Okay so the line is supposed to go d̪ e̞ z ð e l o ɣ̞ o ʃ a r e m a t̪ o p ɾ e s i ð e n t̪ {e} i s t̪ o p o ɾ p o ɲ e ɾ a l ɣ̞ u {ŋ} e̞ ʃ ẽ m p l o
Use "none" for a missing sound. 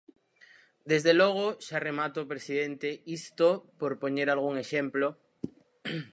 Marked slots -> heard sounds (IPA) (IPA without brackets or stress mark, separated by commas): e, ŋ